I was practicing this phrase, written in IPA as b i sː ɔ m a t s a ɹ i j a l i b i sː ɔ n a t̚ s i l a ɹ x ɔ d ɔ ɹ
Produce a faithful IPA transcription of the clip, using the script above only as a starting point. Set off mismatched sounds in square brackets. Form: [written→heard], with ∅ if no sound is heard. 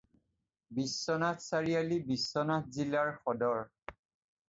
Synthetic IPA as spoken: b i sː ɔ [m→n] a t s a ɹ i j a l i b i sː ɔ n a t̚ [s→z] i l a ɹ x ɔ d ɔ ɹ